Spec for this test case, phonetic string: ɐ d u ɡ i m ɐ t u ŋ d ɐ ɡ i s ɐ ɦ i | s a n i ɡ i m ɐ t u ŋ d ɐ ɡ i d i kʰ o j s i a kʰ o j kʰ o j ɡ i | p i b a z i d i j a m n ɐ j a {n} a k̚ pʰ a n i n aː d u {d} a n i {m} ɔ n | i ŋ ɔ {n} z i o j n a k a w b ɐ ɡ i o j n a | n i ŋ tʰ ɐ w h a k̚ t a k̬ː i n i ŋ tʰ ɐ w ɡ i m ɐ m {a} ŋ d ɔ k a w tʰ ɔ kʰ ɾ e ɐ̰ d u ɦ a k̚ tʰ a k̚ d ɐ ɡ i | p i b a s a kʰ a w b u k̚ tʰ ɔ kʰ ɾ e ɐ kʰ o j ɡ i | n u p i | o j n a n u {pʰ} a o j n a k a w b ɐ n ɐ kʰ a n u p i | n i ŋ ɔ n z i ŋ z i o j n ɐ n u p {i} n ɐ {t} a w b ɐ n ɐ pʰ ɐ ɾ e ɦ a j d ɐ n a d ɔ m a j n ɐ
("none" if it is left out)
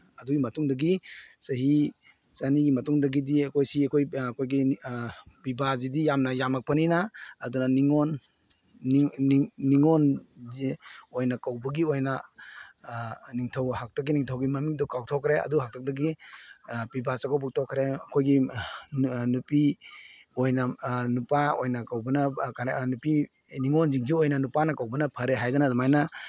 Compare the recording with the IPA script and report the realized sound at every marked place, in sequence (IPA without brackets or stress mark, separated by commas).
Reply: m, n, ŋ, n, i, p, a, k